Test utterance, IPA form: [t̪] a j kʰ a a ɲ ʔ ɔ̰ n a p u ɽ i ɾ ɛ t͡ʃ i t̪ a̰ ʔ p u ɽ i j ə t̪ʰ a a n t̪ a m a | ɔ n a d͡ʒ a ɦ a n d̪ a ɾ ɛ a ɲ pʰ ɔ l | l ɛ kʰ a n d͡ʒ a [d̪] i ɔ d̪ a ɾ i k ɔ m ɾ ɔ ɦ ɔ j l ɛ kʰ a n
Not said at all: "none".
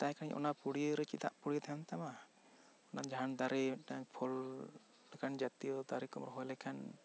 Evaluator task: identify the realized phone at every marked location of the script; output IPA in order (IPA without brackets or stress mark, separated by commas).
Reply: t̪, t̪